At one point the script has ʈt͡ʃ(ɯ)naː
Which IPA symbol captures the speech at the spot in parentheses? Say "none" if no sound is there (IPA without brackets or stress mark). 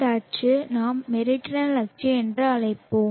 ɯ